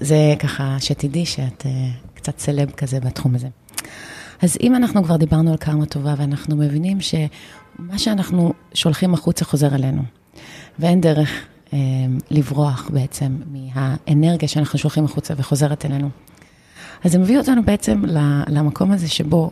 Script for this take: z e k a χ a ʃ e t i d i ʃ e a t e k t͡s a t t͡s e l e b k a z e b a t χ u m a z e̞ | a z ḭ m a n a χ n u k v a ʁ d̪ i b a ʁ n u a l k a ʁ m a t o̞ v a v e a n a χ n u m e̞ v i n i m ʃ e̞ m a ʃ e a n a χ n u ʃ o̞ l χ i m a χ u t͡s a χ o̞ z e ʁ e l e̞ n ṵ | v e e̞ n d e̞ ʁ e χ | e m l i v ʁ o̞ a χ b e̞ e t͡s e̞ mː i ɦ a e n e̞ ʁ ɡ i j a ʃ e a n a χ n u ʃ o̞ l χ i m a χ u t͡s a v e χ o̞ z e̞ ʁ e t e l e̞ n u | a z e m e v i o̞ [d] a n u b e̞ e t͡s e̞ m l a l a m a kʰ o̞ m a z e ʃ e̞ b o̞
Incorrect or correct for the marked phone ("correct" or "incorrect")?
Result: incorrect